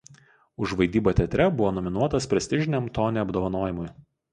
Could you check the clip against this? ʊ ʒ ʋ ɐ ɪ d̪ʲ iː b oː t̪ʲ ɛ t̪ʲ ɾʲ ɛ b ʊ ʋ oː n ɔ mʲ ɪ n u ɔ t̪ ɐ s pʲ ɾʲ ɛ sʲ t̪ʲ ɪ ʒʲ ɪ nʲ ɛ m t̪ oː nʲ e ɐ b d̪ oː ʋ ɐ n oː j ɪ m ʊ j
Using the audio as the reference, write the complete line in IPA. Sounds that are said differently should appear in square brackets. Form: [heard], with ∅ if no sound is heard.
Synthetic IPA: ʊ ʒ ʋ ɐ ɪ d̪ʲ iː b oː t̪ʲ ɛ t̪ʲ ɾʲ ɛ b ʊ ʋ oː n ɔ mʲ ɪ n u ɔ t̪ ɐ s pʲ ɾʲ ɛ sʲ t̪ʲ ɪ ʒʲ ɪ nʲ ɛ m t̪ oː nʲ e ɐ b d̪ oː ʋ ɐ n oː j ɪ m ʊ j